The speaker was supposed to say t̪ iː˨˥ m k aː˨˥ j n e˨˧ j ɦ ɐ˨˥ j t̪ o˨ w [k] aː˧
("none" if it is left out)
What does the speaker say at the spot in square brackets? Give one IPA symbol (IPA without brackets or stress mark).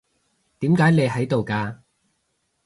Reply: k